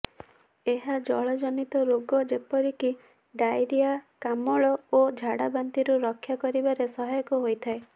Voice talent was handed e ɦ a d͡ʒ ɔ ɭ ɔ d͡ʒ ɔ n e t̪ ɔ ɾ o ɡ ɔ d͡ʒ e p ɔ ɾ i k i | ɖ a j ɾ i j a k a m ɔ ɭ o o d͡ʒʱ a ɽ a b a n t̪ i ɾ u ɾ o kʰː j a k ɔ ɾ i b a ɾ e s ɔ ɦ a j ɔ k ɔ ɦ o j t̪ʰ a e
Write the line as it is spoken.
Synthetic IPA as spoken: e ɦ a d͡ʒ ɔ ɭ ɔ d͡ʒ ɔ n i t̪ ɔ ɾ o ɡ ɔ d͡ʒ e p ɔ ɾ i k i | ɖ a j ɾ i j a k a m ɔ ɭ ɔ o d͡ʒʱ a ɽ a b a n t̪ i ɾ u ɾ ɔ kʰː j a k ɔ ɾ i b a ɾ e s ɔ ɦ a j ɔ k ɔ ɦ o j t̪ʰ a e